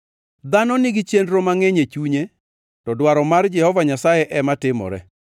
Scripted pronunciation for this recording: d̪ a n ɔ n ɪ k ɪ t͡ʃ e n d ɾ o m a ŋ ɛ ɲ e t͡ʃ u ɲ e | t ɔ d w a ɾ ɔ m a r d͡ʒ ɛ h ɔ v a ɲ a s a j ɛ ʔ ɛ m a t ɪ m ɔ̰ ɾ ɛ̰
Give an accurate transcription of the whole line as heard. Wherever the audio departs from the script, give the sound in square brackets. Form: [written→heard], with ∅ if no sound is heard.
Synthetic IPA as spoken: d̪ a n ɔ n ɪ [k→ɡ] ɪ t͡ʃ e n d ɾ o m a ŋ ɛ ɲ e t͡ʃ u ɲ e | t ɔ d w a ɾ ɔ m a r d͡ʒ ɛ h ɔ v a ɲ a s a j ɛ ʔ ɛ m a t ɪ m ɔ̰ ɾ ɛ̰